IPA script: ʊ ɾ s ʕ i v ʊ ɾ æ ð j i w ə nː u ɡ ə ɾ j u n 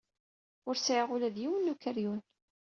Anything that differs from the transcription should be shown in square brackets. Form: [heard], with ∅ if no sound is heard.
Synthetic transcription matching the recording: ʊ ɾ s ʕ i [ʁ] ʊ [l] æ ð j i w ə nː u [k] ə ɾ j u n